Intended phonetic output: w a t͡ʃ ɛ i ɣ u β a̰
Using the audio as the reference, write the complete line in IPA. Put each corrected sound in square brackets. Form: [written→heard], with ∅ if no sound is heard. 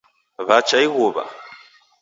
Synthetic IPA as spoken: [w→β] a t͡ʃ [ɛ→a] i ɣ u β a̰